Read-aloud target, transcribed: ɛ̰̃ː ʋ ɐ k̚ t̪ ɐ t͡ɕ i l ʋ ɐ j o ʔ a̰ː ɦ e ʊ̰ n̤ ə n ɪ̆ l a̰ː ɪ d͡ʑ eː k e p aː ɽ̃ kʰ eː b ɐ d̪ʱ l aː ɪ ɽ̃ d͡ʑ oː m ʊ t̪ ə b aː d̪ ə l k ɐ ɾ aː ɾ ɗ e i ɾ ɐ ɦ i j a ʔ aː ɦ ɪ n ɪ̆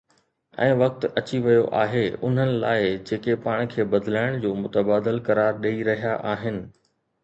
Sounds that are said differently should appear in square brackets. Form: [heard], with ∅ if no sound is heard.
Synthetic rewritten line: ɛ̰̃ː ʋ ɐ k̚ t̪ ɐ t͡ɕ i [∅] ʋ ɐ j o ʔ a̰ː ɦ e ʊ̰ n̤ ə n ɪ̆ l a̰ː ɪ d͡ʑ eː k e p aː ɽ̃ kʰ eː b ɐ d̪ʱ l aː ɪ ɽ̃ d͡ʑ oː m ʊ t̪ ə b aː d̪ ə l k ɐ ɾ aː ɾ ɗ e i ɾ ɐ ɦ i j a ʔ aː ɦ ɪ n ɪ̆

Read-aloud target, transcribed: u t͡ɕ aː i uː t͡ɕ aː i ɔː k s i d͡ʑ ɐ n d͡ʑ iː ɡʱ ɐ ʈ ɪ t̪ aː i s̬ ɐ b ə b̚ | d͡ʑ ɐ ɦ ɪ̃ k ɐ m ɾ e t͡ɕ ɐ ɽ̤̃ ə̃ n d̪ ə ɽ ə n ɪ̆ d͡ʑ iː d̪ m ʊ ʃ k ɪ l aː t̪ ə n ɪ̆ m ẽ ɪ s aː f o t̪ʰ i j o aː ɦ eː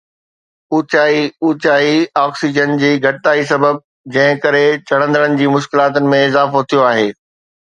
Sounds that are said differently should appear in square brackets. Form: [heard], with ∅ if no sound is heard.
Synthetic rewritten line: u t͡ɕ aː i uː t͡ɕ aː i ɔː k s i d͡ʑ [ə] n d͡ʑ iː ɡʱ ɐ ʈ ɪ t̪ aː i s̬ ɐ b ə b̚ | d͡ʑ [ɐ̃] ɦ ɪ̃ k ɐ [∅] ɾ e t͡ɕ ɐ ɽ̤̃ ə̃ n d̪ ə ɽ ə n ɪ̆ d͡ʑ iː [∅] m ʊ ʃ k ɪ l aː t̪ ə n ɪ̆ m ẽ ɪ [z] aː f o t̪ʰ i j o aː ɦ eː

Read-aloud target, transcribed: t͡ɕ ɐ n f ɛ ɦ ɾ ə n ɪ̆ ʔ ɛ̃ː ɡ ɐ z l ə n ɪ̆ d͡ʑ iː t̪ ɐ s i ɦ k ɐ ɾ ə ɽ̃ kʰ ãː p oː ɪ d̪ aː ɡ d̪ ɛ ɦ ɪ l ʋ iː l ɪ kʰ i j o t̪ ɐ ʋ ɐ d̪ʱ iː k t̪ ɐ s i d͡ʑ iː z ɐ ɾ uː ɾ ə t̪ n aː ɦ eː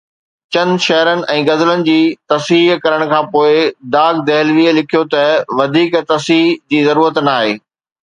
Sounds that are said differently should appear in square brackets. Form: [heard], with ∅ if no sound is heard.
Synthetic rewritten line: t͡ɕ ɐ n [ʃ] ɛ ɦ ɾ ə n ɪ̆ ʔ ɛ̃ː ɡ ɐ z l ə n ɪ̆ d͡ʑ iː t̪ ɐ s i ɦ k ɐ ɾ ə ɽ̃ kʰ ãː p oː ɪ d̪ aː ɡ d̪ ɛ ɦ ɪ l ʋ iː l ɪ kʰ i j o t̪ ɐ ʋ ɐ d̪ʱ iː k t̪ ɐ s i d͡ʑ iː z ɐ ɾ uː ɾ ə t̪ n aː ɦ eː

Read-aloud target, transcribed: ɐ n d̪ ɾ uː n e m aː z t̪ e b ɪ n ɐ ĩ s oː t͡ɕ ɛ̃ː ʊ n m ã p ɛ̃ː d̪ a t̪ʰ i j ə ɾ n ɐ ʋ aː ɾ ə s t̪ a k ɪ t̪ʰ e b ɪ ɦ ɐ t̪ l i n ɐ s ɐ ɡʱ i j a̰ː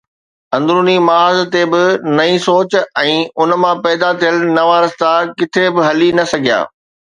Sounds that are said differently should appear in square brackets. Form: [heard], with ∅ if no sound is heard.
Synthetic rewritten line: [ɐ̃] n d̪ ɾ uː n [i] m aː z t̪ e b ɪ n ɐ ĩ s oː t͡ɕ ɛ̃ː ʊ n m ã p [ɛː] d̪ a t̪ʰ i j ə [l] n ɐ ʋ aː ɾ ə s t̪ a k ɪ t̪ʰ e b ɪ ɦ ɐ [∅] l i n ɐ s ɐ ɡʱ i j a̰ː

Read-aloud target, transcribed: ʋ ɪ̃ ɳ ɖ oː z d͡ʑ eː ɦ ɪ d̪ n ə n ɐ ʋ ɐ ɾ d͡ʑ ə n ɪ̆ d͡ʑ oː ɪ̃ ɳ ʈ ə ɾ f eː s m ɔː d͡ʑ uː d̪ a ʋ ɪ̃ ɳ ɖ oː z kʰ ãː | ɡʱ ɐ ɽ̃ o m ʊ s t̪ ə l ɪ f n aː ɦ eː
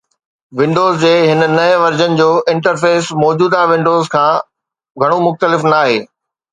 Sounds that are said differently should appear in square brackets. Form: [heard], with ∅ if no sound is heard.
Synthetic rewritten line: ʋ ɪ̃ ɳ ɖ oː z d͡ʑ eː ɦ ɪ [∅] n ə n ɐ ʋ ɐ ɾ d͡ʑ ə n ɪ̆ d͡ʑ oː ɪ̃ ɳ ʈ ə ɾ f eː s m ɔː d͡ʑ uː d̪ a ʋ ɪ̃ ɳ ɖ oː z kʰ ãː | ɡʱ ɐ ɽ̃ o m ʊ [x] t̪ ə l ɪ f n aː ɦ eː

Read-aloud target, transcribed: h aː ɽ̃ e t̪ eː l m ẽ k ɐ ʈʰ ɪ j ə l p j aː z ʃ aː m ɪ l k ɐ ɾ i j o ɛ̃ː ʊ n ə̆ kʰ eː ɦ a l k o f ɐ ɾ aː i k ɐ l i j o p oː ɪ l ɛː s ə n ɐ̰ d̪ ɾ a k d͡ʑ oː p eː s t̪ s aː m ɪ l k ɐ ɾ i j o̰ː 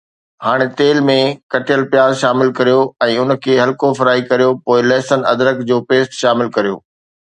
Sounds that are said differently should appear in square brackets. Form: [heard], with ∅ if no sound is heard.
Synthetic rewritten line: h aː ɽ̃ e t̪ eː l m ẽ k ɐ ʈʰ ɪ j ə l p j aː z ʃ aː m ɪ l k ɐ ɾ i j o ɛ̃ː ʊ n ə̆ kʰ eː ɦ [ɐ] l k o f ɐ ɾ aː i k ɐ [ɾ] i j o p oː ɪ l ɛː s ə n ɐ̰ d̪ ɾ [ə] k d͡ʑ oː p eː s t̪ [ʃ] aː m ɪ l k ɐ ɾ i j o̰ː

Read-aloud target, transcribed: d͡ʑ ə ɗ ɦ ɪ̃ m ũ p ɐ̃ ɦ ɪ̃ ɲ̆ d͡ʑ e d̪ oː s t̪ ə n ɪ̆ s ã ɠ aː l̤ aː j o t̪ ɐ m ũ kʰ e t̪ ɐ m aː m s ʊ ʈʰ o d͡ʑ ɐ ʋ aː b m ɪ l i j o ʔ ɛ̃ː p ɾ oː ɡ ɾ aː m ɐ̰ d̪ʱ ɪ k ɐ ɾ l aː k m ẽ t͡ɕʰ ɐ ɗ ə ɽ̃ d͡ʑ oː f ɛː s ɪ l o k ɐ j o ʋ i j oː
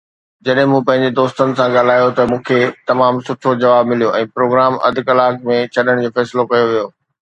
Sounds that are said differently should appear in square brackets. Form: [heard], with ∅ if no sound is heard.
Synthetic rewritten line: d͡ʑ [ɐ] ɗ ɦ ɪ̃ m ũ p ɐ̃ ɦ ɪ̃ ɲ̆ d͡ʑ e d̪ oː s t̪ ə n ɪ̆ s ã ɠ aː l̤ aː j o t̪ ɐ m [ũː] kʰ e t̪ ɐ m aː m s ʊ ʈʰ o d͡ʑ ɐ ʋ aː b m ɪ l i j o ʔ ɛ̃ː p ɾ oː ɡ ɾ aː m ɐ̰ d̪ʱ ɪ k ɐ [∅] l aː k m ẽ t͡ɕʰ ɐ ɗ ə ɽ̃ d͡ʑ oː f ɛː s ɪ l o k ɐ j o ʋ i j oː

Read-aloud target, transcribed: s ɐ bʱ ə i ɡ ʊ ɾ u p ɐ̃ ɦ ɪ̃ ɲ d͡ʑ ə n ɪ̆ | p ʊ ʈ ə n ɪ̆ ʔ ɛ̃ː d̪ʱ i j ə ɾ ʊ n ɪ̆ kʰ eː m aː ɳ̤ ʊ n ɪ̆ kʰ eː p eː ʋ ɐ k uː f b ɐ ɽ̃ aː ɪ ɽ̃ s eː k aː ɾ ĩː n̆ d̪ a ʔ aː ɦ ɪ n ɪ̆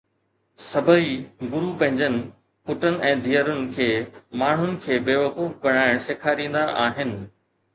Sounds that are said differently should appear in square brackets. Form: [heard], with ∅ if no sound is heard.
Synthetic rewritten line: s ɐ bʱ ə i ɡ ʊ ɾ u p ɐ̃ ɦ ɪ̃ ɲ d͡ʑ ə n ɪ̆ | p ʊ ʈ ə n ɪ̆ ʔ ɛ̃ː d̪ʱ i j ə ɾ ʊ n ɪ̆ kʰ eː m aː ɳ̤ ʊ n ɪ̆ kʰ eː [b] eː ʋ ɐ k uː f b ɐ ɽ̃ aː ɪ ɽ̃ s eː [kʰ] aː ɾ ĩː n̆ d̪ a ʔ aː ɦ ɪ n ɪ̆

